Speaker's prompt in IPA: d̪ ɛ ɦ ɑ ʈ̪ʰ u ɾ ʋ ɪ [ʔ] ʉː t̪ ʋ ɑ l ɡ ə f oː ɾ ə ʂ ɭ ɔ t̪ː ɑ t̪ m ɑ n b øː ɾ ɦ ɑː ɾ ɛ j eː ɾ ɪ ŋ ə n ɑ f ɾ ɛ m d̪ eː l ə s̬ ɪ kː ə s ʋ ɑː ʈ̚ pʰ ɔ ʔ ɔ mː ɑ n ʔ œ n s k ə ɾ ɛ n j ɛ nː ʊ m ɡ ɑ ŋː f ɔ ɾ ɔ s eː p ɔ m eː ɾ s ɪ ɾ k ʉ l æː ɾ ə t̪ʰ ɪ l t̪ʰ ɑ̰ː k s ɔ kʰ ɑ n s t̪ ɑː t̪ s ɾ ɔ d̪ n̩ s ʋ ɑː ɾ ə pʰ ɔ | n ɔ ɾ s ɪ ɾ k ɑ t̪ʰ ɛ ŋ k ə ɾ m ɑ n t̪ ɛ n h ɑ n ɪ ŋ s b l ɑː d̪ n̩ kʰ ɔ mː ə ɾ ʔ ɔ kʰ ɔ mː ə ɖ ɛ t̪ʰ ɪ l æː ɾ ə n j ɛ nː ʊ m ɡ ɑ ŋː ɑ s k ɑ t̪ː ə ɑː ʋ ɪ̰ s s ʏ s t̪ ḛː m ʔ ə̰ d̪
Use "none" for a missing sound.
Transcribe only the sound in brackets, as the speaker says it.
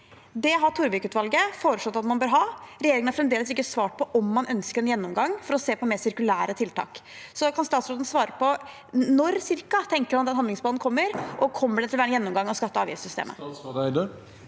k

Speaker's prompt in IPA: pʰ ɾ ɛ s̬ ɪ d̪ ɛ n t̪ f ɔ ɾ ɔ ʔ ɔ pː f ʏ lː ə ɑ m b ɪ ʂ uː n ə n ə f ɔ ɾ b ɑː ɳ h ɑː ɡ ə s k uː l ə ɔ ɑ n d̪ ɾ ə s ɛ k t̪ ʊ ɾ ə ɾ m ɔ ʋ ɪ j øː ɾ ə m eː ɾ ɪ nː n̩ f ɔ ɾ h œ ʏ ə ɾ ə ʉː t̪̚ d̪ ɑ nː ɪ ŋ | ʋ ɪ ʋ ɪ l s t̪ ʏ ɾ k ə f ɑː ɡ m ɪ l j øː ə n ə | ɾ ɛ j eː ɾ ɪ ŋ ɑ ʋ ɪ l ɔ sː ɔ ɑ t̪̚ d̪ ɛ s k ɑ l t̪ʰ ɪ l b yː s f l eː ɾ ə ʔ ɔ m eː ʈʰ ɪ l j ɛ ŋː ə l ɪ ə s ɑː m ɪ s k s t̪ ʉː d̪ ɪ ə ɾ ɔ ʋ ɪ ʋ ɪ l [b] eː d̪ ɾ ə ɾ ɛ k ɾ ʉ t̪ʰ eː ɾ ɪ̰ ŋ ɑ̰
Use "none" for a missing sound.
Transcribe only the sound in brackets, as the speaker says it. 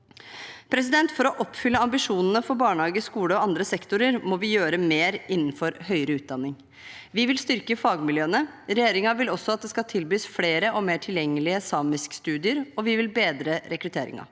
b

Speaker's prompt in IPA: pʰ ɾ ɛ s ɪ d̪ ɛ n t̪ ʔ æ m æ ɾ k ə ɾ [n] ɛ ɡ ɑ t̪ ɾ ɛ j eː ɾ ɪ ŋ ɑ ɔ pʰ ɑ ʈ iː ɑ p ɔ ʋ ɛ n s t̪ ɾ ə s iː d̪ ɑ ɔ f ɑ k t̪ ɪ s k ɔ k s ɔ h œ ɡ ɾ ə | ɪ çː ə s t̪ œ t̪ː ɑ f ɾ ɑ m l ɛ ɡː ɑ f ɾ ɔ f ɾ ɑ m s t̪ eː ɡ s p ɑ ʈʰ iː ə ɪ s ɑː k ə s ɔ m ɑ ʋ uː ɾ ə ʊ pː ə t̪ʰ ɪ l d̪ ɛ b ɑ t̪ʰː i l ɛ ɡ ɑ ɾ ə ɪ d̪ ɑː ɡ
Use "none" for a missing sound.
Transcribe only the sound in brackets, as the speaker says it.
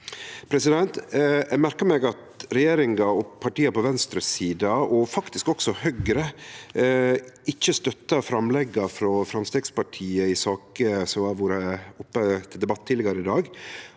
m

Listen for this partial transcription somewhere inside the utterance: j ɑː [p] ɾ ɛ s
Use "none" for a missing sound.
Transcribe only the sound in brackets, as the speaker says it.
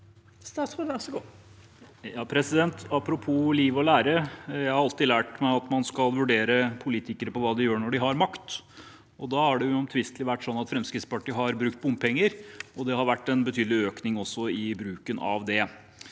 pʰ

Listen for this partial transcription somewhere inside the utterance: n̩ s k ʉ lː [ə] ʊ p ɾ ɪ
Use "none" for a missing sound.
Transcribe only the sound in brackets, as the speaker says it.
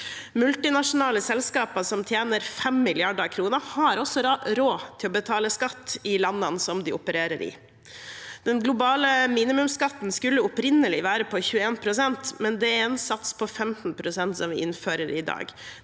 ə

